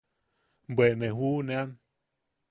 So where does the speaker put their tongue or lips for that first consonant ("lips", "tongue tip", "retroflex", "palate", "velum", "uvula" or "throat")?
lips